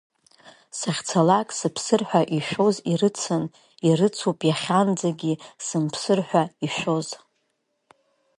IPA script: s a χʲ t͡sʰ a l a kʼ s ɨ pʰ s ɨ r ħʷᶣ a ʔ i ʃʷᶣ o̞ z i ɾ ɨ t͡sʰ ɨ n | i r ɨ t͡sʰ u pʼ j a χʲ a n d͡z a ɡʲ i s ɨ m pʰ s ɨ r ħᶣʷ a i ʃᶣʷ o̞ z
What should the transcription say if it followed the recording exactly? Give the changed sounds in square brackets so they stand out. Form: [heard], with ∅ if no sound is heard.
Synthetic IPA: s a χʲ t͡sʰ a l a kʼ s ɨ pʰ s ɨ r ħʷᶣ a ʔ i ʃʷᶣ o̞ z i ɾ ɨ t͡sʰ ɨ n | i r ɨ t͡sʰ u pʼ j a χʲ a n d͡z a ɡʲ i s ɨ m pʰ s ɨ r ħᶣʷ a i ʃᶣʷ o̞ z